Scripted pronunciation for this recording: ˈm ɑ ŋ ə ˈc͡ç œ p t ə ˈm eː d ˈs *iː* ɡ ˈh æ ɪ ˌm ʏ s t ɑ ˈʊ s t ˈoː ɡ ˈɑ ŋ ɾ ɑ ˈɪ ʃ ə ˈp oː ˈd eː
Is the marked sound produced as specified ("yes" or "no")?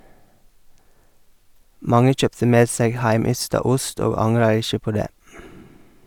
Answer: no